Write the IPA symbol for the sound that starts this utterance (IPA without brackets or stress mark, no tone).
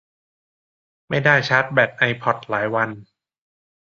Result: m